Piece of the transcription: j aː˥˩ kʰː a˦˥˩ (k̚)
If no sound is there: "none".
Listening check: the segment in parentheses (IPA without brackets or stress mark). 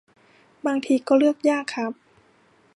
p̚